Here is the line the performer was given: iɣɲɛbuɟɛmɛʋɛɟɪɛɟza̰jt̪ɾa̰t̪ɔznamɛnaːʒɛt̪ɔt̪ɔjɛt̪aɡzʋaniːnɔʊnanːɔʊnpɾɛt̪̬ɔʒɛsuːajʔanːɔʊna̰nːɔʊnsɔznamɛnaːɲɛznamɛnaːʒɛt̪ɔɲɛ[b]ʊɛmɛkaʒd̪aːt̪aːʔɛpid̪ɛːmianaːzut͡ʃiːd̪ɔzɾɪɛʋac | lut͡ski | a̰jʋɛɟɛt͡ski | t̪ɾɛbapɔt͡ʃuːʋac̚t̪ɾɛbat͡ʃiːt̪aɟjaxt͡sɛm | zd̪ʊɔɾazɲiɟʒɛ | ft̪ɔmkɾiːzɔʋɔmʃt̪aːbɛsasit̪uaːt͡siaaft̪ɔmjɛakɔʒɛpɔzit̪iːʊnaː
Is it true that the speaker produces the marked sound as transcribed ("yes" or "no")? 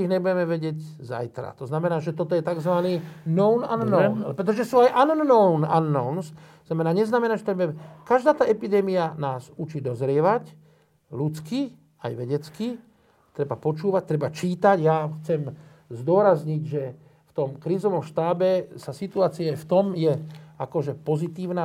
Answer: yes